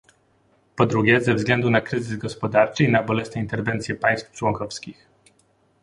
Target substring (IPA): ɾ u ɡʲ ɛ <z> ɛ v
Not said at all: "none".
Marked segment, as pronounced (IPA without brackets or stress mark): z